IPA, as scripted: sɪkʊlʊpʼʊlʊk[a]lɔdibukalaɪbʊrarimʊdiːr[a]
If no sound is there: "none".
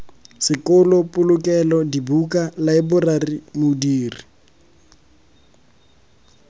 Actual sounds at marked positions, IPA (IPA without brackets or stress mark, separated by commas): ɛ, i